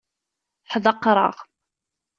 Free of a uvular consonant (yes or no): no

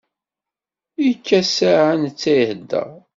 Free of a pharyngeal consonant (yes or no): no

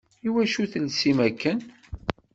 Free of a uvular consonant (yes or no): yes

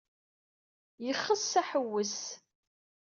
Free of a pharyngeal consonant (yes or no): no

